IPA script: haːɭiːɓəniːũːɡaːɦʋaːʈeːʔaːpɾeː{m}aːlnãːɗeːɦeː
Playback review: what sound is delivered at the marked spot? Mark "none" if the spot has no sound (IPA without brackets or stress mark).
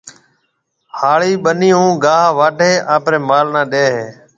m